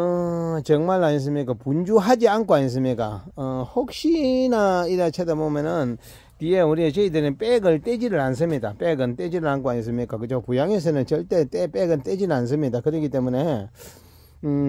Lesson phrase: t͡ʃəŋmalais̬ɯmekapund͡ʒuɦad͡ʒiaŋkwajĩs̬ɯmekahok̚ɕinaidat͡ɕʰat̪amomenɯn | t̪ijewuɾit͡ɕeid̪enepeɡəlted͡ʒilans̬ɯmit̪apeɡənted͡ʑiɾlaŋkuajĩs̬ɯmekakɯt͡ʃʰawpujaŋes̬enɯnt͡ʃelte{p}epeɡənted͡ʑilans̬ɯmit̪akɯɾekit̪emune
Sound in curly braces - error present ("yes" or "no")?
yes